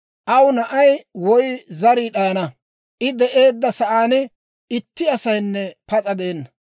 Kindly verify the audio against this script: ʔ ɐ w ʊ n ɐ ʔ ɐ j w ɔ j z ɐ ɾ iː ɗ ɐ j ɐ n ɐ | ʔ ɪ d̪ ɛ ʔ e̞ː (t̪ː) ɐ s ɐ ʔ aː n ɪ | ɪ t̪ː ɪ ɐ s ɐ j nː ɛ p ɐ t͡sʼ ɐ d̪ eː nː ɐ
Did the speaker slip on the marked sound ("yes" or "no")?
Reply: yes